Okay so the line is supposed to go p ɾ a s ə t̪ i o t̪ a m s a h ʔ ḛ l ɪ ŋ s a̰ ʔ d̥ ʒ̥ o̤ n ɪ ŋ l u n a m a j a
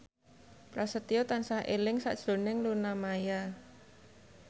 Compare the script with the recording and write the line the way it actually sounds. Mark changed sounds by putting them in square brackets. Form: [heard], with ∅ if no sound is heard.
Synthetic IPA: p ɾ a s ə t̪ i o t̪ a [n] s a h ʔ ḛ l ɪ ŋ s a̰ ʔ d̥ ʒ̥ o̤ n ɪ ŋ l u n a m a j a